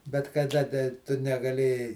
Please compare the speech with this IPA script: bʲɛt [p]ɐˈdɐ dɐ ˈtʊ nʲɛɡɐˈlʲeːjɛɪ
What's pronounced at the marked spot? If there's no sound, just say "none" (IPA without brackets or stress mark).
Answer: k